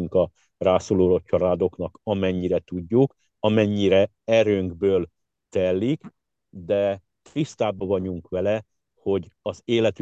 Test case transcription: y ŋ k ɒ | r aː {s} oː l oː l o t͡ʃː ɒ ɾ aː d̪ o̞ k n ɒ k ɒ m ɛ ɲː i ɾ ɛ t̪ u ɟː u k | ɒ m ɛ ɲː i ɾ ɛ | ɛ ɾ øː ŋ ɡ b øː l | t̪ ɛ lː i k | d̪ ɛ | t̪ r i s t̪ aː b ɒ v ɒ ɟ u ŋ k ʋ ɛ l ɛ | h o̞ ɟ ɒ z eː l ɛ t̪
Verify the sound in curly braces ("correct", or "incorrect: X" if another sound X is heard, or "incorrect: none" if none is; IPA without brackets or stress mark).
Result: correct